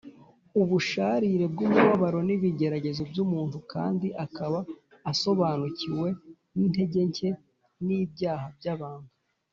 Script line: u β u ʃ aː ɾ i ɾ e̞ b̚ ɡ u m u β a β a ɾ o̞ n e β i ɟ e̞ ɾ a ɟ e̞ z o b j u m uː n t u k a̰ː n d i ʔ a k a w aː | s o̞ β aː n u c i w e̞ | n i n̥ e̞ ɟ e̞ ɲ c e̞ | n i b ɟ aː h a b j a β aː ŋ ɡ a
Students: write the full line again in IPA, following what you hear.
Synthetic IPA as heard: u β u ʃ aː ɾ i ɾ e̞ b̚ ɡ u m u β a β a ɾ o̞ n i β i ɟ e̞ ɾ a ɟ e̞ z o b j u m uː n t u k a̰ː n d i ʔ a k a β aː | s o̞ β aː n u c i w e̞ | n i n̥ e̞ ɟ e̞ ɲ c e̞ | n i b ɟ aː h a b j a β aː ŋ ɡ a